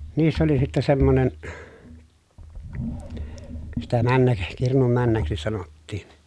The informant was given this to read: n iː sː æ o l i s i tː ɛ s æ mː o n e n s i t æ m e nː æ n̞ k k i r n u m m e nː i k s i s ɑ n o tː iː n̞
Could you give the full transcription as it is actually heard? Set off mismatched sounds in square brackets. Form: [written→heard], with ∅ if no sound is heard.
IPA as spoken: n iː sː æ o l i s i tː ɛ s [æ→e] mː o n e n s i t æ m [e→æ] nː æ [n̞→∅] k k i r n u m m [e→æ] nː [i→æ] k s i s ɑ n o tː iː n̞